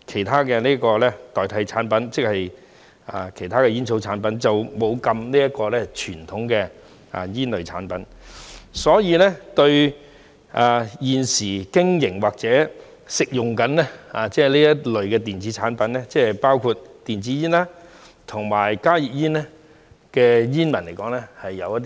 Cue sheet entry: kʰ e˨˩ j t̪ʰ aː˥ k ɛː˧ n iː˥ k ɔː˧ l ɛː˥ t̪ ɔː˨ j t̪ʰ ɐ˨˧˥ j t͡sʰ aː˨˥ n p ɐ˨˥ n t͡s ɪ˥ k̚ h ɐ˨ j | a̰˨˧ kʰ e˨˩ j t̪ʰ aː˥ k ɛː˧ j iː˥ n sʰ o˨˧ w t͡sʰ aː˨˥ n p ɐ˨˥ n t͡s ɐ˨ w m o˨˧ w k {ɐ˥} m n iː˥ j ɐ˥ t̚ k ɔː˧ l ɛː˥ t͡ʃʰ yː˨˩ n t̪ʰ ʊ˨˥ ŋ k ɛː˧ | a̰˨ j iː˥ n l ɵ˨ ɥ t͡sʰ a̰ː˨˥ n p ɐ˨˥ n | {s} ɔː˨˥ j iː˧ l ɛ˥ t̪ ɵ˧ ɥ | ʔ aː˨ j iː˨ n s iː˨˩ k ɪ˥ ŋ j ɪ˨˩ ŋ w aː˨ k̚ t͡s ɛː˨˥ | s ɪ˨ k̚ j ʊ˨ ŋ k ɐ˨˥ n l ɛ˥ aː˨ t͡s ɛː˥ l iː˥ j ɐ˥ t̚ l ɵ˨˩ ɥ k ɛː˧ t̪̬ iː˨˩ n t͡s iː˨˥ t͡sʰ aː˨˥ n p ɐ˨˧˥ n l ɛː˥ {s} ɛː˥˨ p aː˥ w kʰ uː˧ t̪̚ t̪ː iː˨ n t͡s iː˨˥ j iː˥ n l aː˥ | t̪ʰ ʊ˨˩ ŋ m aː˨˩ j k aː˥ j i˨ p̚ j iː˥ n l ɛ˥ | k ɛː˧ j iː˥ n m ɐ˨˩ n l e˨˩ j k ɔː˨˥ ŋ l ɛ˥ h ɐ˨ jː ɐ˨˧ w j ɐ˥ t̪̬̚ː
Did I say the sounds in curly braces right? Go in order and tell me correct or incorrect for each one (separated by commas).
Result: incorrect, correct, incorrect